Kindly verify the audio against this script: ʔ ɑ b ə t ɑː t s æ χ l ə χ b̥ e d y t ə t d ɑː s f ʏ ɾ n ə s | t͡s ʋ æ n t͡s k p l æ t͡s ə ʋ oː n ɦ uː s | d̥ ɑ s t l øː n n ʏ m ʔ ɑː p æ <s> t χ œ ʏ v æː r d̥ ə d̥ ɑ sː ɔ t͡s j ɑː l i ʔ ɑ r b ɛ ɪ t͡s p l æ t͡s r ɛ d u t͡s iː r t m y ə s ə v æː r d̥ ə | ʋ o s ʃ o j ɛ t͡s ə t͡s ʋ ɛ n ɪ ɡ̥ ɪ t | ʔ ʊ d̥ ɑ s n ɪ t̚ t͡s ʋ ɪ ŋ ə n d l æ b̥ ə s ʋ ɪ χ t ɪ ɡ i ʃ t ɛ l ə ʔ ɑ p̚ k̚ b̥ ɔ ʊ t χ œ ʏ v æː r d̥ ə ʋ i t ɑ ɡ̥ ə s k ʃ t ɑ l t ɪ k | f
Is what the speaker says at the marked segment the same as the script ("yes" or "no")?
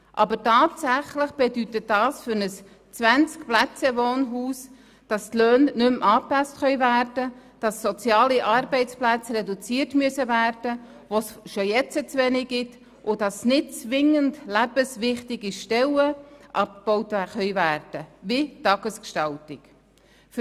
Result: yes